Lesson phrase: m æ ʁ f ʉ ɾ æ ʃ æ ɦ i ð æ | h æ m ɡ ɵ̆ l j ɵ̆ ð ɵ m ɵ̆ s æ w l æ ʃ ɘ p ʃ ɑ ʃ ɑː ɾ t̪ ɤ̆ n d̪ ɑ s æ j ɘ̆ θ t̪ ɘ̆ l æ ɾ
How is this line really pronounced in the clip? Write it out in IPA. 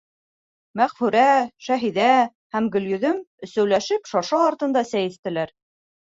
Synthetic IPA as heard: m æ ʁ f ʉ ɾ æ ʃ æ ɦ i ð æ | h æ m ɡ ɵ̆ l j ɵ̆ ð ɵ m ɵ̆ s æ w l æ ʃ ɘ p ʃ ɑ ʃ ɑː ɾ t̪ ɤ̆ n d̪ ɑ s æ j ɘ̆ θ t̪ ɘ̆ l æ ɾ